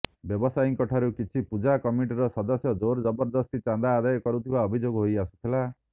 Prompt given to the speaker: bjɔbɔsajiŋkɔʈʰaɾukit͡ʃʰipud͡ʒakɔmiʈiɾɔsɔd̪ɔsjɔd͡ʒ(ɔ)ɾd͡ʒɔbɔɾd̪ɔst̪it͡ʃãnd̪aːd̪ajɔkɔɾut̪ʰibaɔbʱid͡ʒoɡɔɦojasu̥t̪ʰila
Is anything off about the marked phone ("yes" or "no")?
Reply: yes